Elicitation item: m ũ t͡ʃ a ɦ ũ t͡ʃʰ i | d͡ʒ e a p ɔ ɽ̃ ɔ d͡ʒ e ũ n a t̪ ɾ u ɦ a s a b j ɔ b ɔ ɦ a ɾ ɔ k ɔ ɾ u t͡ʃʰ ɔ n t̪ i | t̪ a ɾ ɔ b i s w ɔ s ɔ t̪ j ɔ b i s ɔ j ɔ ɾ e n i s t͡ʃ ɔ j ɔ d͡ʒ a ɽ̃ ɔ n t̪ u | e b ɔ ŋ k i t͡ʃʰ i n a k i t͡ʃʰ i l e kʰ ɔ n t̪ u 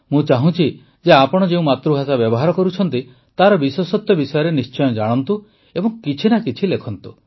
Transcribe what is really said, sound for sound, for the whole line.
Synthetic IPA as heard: m ũ t͡ʃ a ɦ ũ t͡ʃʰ i | d͡ʒ e a p ɔ ɽ̃ ɔ d͡ʒ e ũ m a t̪ ɾ u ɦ a s a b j ɔ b ɔ ɦ a ɾ ɔ k ɔ ɾ u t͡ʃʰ ɔ n t̪ i | t̪ a ɾ ɔ b i s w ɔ s ɔ t̪ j ɔ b i s ɔ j ɔ ɾ e n i s t͡ʃ ɔ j ɔ d͡ʒ a ɽ̃ ɔ n t̪ u | e b ɔ ŋ k i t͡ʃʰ i n a k i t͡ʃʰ i l e kʰ ɔ n t̪ u